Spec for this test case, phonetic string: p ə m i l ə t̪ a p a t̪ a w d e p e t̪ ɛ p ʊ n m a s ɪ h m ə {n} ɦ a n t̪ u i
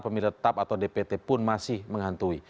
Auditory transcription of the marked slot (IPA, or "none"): ŋ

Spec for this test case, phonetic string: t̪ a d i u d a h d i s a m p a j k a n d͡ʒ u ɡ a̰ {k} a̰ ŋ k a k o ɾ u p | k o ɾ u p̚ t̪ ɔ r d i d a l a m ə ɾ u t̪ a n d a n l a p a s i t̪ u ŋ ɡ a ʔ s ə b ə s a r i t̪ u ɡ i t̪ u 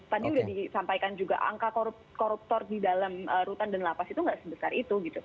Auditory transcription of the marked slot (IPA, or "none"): ʔ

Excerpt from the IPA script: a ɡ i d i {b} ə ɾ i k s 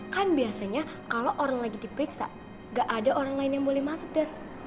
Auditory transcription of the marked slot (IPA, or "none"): p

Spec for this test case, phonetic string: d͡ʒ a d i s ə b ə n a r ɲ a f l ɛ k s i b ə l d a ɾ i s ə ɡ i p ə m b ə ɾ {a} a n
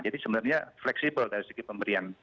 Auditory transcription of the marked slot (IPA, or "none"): i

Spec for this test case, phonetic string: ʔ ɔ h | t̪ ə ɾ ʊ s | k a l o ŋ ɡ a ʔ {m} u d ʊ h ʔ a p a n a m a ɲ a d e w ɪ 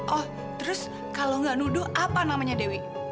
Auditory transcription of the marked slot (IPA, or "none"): n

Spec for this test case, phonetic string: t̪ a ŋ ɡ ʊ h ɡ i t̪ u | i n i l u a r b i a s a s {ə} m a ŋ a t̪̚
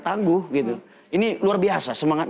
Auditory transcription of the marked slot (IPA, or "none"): ə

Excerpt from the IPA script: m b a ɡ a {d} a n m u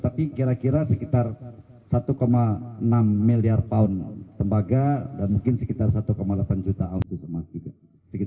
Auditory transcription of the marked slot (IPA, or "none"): d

